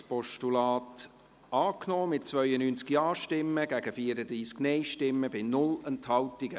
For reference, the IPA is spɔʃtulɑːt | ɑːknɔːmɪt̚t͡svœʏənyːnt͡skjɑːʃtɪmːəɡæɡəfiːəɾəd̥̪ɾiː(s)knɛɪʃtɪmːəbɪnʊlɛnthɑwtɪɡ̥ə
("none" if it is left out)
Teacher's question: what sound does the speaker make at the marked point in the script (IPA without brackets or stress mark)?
s